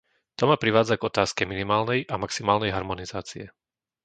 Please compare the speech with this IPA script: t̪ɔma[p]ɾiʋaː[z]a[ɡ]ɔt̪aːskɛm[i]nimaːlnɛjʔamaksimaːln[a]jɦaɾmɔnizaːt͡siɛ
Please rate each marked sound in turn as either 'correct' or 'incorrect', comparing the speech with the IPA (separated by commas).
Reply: correct, incorrect, correct, correct, incorrect